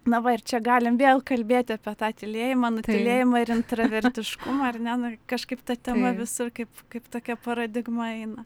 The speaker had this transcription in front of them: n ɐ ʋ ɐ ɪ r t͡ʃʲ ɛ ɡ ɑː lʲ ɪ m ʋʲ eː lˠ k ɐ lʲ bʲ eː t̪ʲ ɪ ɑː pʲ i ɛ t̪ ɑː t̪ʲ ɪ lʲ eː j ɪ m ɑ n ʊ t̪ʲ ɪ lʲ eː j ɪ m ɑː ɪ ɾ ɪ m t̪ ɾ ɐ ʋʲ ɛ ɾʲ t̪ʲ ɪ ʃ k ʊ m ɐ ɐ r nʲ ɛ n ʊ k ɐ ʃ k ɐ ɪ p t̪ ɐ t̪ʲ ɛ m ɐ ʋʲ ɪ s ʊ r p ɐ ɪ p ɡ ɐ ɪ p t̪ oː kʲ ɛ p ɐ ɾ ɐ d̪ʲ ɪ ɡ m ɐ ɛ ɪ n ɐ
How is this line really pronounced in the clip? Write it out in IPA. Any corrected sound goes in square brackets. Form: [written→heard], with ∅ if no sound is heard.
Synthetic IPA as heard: n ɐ ʋ ɐ ɪ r t͡ʃʲ ɛ ɡ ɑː lʲ ɪ m ʋʲ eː lˠ k ɐ lʲ bʲ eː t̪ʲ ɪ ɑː pʲ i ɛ t̪ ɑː t̪ʲ ɪ lʲ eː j ɪ m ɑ n ʊ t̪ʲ ɪ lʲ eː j ɪ m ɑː ɪ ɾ ɪ [m→n] t̪ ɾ ɐ ʋʲ ɛ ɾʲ t̪ʲ ɪ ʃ k ʊ m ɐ ɐ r nʲ ɛ n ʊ k ɐ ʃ k ɐ ɪ p t̪ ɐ t̪ʲ ɛ m ɐ ʋʲ ɪ s ʊ r [p→k] ɐ ɪ p [ɡ→k] ɐ ɪ p t̪ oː kʲ ɛ p ɐ ɾ ɐ d̪ʲ ɪ ɡ m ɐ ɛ ɪ n ɐ